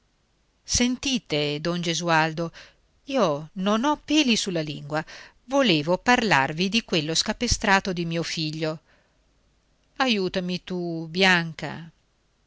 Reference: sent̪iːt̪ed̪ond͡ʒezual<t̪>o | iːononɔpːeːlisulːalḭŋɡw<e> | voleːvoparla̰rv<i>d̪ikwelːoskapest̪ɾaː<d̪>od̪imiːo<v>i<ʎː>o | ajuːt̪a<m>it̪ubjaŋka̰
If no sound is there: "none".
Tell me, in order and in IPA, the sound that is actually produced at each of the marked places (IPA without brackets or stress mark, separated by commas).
d̪, a, i, t̪, f, ʎː, m